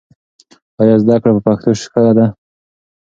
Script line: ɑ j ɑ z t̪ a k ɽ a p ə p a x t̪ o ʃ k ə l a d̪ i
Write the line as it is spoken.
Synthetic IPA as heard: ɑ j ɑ z d̪ a k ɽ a p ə p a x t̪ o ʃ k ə l a d̪ a